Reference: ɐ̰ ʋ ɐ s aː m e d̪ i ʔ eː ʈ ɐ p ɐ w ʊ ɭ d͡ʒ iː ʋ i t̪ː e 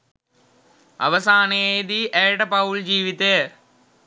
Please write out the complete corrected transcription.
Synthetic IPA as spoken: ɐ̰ ʋ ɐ s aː n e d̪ i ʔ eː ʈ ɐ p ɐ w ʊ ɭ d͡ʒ iː ʋ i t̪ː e